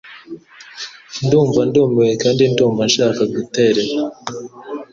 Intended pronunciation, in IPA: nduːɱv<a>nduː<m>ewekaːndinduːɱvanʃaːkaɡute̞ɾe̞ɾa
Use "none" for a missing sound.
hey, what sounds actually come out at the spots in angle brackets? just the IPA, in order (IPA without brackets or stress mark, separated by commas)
a, m